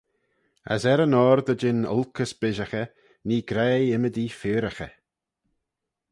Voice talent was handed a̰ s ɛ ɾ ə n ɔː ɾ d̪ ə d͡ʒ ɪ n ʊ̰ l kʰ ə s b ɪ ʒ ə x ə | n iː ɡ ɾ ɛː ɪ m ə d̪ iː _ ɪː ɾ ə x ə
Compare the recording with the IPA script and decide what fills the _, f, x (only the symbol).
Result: f